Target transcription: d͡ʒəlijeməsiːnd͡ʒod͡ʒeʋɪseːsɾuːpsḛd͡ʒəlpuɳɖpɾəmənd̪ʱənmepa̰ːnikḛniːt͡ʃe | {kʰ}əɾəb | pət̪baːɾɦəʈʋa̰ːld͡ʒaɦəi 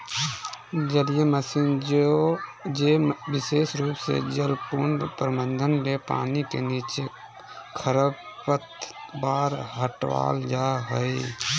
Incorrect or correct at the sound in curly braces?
correct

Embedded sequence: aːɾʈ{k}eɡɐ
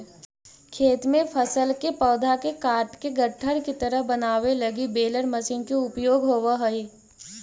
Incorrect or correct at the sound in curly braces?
correct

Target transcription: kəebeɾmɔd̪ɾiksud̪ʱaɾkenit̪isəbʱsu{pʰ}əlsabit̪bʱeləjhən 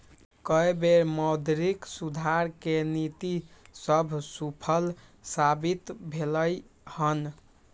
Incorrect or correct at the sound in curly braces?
correct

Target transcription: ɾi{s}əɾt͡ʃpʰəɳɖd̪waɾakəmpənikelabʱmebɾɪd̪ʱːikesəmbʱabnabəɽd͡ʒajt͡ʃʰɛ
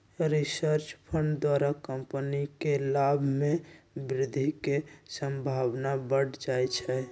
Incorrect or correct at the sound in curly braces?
correct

